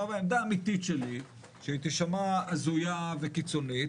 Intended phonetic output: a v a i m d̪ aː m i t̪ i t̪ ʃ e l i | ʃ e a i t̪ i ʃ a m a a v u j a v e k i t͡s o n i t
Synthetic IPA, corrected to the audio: a v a e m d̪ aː m i t̪ i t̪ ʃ e l i | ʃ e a i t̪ i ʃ a m a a z u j a v e k i t͡s o n i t